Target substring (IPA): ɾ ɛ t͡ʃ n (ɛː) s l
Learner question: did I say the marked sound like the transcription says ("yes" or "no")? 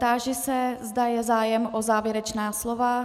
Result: no